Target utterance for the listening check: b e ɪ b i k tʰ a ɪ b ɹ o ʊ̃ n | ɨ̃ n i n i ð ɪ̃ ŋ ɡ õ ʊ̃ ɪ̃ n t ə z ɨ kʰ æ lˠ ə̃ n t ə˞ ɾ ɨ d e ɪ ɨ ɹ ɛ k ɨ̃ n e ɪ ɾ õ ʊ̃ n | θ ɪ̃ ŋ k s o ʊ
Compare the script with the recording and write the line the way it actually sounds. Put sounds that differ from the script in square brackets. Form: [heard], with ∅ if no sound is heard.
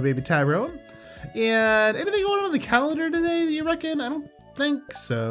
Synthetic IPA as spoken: b e ɪ b i [∅] tʰ a ɪ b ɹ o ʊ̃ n | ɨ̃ n [ɛ] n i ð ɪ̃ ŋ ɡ [o] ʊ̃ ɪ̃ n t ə [ð] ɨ kʰ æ lˠ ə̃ n [d] ə˞ ɾ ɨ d e ɪ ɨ ɹ ɛ k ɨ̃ n [a] ɪ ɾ õ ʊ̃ n | θ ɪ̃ ŋ k s o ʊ

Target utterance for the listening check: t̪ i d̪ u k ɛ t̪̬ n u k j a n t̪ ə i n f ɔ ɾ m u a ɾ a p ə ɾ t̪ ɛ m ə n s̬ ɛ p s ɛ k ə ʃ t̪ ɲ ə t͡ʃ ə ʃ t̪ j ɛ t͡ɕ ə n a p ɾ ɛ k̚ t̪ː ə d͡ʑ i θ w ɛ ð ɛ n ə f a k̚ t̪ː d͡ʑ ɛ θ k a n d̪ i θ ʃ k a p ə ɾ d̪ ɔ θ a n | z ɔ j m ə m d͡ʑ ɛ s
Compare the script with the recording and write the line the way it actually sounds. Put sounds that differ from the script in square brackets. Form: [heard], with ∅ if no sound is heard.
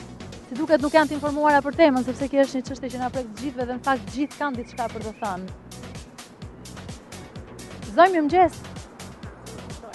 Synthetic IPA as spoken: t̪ i d̪ u k ɛ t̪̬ n u k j a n t̪ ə i n f ɔ ɾ m u a ɾ a p ə ɾ t̪ ɛ m ə n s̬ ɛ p s ɛ k ə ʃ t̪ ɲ ə t͡ʃ ə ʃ t̪ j ɛ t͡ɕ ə n a p ɾ ɛ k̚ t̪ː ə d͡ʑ i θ [v] ɛ ð ɛ n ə f a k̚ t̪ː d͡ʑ [i] θ k a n d̪ i θ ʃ k a p ə ɾ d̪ ɔ θ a n | z ɔ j m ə m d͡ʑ ɛ s

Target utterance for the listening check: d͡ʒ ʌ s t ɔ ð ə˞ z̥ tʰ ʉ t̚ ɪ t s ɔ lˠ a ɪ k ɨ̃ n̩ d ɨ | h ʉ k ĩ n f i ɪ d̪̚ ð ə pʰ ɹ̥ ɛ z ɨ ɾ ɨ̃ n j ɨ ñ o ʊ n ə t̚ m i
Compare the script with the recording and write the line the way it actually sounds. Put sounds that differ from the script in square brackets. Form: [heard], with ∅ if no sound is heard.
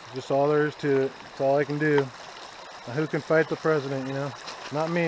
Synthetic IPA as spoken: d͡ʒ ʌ s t ɔ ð ə˞ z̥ tʰ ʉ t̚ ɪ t s ɔ lˠ a ɪ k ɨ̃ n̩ d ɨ | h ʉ k [ɨ̃] n f [a] ɪ [t̪̚] ð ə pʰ ɹ̥ ɛ z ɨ ɾ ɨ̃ n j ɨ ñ o ʊ n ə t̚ m i

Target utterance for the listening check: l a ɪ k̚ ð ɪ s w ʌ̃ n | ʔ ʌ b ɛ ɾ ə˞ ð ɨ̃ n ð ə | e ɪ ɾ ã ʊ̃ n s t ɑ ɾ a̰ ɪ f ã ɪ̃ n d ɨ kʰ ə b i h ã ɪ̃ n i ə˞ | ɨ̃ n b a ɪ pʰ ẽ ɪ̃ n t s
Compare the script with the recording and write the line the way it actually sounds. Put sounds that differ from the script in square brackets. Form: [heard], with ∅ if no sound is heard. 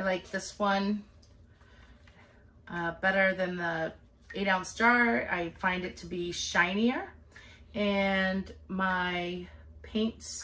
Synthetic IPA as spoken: l a ɪ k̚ ð ɪ s w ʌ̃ n | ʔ ʌ b ɛ ɾ ə˞ ð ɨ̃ n ð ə | e ɪ ɾ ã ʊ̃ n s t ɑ [ɹ] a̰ ɪ f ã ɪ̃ n d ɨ [tʰ] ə b i [ʃ] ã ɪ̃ n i ə˞ | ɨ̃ n [m] a ɪ pʰ ẽ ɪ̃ n t s

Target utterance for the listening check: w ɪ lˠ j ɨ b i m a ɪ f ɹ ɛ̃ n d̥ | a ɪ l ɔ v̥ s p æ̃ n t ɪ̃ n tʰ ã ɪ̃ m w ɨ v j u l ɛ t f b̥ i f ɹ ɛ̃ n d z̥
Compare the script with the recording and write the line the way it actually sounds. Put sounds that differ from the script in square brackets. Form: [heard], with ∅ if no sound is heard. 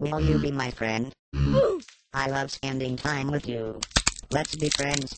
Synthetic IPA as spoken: w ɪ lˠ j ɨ b i m a ɪ f ɹ ɛ̃ n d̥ | a ɪ l [ʌ] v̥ s p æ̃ n [d] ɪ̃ [ŋ] tʰ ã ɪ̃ m w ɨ [ð] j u l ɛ t [s] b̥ i f ɹ ɛ̃ n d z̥

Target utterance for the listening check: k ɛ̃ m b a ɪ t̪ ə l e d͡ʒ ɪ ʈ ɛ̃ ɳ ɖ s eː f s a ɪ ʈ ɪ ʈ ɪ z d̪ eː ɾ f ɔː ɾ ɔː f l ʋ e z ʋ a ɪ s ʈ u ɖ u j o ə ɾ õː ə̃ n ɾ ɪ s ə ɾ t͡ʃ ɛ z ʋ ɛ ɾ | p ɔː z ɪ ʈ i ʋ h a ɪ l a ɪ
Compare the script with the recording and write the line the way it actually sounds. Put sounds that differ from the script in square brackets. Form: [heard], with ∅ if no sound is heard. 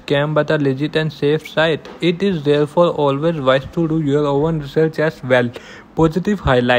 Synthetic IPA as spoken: k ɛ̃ m b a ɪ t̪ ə l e d͡ʒ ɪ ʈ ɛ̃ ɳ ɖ s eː f s a ɪ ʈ ɪ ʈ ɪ z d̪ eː ɾ f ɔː ɾ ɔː [∅] l ʋ e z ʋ a ɪ s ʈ u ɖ u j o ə ɾ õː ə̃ n ɾ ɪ s ə ɾ t͡ʃ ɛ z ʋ ɛ [l] | p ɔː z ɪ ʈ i ʋ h a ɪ l a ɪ

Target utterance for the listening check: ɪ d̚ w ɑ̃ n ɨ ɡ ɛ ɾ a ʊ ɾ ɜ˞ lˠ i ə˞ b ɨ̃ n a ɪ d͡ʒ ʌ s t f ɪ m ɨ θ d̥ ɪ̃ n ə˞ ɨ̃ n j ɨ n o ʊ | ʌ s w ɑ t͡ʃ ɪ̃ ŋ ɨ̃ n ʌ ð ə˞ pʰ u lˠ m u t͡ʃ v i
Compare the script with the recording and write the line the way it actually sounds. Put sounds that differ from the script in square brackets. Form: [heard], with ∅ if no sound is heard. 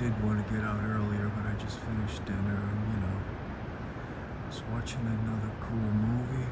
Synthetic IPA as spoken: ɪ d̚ w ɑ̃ n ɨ ɡ ɛ ɾ a ʊ ɾ ɜ˞ lˠ i ə˞ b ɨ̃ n a ɪ d͡ʒ ʌ s t f ɪ [n] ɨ [ʃ] d̥ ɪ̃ n ə˞ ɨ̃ n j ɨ n o ʊ | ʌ s w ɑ t͡ʃ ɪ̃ ŋ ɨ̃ n ʌ ð ə˞ [kʰ] u lˠ m u [∅] v i

